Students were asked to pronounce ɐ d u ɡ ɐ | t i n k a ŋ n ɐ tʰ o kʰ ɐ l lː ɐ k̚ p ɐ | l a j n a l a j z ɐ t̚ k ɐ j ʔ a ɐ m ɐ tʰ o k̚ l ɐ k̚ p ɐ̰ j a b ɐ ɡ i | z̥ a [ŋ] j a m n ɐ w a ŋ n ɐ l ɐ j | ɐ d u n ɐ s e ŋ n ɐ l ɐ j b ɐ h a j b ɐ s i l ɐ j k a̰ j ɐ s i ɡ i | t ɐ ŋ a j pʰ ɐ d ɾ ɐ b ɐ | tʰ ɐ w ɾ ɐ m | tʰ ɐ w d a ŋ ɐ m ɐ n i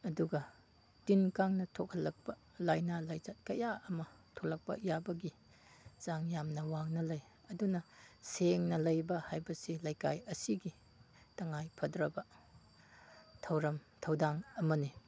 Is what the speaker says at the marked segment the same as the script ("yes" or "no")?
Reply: yes